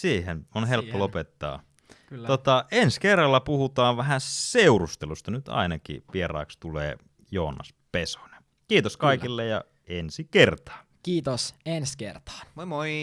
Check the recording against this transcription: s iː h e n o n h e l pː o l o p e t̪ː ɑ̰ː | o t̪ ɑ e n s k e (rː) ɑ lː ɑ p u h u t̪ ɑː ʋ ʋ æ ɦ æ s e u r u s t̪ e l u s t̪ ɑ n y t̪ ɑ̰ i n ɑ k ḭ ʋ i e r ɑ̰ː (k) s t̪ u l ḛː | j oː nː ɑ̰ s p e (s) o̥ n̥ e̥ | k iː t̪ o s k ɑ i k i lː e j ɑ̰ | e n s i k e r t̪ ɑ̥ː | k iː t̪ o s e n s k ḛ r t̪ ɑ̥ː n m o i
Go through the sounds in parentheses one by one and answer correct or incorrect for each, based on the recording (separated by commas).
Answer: correct, correct, correct